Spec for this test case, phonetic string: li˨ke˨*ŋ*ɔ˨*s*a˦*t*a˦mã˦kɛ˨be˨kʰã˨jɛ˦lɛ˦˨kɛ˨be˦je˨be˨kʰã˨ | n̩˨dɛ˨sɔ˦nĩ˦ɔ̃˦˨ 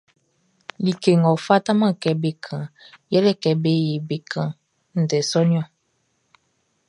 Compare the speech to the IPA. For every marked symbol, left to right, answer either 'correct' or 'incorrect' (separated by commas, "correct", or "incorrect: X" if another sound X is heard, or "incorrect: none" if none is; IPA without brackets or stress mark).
correct, incorrect: f, correct